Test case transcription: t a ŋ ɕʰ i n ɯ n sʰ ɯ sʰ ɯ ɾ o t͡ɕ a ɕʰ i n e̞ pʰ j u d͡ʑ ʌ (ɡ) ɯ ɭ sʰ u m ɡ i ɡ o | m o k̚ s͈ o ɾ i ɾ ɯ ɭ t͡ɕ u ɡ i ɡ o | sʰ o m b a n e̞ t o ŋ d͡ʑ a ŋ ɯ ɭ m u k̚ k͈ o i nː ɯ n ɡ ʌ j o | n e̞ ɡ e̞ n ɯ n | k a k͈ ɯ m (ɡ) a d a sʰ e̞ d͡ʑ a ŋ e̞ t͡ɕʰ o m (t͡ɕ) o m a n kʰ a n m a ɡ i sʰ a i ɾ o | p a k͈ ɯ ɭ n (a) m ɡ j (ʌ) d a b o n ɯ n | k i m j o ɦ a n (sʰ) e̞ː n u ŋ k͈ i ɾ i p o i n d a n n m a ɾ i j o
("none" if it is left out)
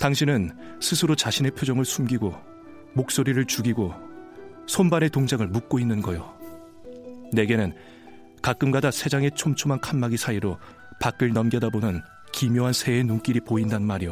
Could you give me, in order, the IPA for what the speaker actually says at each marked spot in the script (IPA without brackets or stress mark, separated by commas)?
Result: ŋ, ɡ, t͡ɕʰ, ʌ, ʌ, sʰ